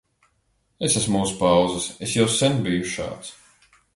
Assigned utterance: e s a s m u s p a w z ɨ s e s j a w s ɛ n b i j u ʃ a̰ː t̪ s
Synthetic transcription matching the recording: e s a s m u s p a w z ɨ s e s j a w s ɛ n b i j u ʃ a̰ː t̪ s